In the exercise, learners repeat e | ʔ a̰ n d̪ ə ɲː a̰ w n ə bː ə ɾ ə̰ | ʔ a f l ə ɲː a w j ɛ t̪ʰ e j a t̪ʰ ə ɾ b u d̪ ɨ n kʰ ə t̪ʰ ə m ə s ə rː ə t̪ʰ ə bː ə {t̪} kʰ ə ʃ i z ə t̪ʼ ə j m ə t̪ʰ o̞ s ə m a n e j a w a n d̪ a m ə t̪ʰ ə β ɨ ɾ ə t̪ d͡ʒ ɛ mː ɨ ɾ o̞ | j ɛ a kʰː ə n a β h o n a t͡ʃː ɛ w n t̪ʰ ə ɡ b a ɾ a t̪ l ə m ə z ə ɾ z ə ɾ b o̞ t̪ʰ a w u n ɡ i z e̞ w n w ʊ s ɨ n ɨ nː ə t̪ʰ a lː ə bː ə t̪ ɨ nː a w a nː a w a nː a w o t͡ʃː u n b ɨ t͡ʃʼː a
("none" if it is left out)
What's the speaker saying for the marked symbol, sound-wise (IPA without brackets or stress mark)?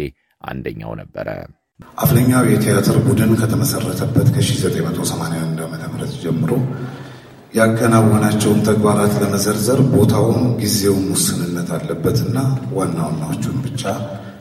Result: t̪